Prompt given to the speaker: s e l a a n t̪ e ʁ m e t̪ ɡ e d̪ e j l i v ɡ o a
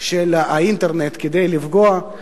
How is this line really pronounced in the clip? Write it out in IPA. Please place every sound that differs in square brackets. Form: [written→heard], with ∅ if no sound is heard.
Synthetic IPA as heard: [s→ʃ] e l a [a→i] n t̪ e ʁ [m→n] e t̪ [ɡ→k] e d̪ e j l i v ɡ o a